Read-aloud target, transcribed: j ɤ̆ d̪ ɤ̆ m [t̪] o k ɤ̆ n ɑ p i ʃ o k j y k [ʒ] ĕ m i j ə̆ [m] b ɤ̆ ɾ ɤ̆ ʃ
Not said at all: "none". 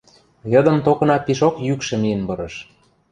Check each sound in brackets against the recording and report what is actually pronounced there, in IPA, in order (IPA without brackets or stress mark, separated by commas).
t̪, ʃ, n